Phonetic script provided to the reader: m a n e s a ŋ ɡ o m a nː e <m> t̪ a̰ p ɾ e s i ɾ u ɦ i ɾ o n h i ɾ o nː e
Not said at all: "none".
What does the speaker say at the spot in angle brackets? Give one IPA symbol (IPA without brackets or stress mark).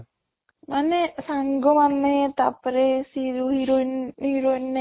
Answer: none